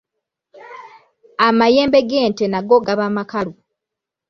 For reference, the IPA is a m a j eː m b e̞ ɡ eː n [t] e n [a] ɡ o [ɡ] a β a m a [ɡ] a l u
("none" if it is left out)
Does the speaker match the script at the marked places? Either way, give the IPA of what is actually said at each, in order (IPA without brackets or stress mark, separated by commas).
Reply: t, a, ɡ, k